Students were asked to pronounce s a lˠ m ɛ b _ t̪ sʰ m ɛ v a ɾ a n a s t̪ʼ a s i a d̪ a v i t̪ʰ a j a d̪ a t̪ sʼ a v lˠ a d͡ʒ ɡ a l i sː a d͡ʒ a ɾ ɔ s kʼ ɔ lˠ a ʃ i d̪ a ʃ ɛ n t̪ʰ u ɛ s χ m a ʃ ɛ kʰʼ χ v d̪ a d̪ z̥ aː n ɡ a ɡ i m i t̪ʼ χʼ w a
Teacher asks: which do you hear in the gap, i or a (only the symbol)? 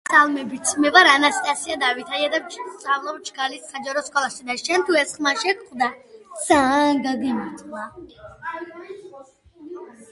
i